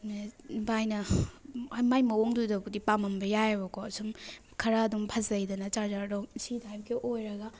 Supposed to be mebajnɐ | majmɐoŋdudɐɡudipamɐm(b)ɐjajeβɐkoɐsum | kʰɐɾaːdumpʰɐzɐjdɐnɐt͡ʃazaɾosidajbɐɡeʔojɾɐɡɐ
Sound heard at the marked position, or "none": b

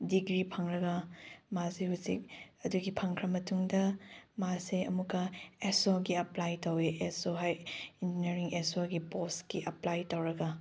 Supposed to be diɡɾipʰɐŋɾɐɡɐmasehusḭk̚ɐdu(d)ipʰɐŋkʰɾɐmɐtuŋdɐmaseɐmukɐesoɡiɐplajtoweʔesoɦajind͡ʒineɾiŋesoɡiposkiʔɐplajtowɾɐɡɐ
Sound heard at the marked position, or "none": ɡ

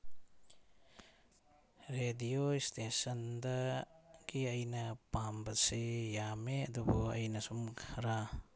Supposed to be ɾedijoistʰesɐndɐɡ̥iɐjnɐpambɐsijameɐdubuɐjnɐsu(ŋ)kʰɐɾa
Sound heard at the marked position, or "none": m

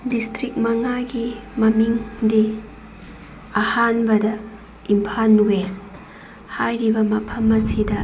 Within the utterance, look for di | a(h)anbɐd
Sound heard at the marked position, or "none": h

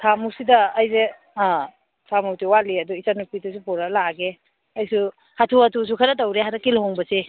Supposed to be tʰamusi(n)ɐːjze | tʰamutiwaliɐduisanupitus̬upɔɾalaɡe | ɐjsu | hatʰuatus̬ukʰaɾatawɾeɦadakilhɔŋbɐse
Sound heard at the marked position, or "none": d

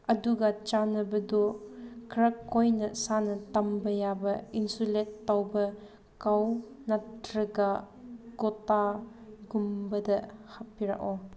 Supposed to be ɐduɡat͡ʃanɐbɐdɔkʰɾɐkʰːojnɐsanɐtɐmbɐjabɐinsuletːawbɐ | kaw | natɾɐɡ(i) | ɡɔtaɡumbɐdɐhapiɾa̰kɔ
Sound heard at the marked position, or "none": a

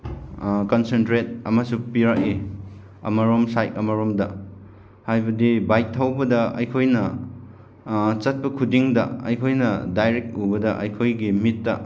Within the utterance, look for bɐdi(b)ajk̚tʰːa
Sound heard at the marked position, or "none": b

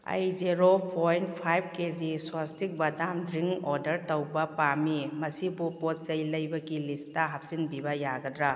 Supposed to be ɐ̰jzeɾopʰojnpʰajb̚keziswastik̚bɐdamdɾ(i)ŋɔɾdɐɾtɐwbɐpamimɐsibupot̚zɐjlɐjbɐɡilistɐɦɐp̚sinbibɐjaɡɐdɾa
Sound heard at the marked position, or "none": i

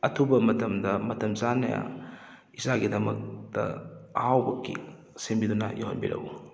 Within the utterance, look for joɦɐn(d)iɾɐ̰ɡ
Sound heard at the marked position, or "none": b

